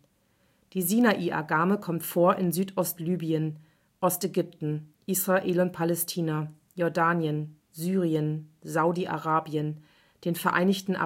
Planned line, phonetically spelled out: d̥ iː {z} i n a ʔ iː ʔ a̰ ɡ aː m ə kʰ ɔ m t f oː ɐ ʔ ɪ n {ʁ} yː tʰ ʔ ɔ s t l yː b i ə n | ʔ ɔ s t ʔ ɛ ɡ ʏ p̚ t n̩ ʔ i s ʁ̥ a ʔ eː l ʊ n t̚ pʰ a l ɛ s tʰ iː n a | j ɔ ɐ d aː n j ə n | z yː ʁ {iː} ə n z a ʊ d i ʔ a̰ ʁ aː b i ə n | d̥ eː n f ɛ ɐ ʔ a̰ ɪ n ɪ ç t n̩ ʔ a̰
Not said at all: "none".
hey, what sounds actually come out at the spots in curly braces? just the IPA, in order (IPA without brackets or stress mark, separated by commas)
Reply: z, z, i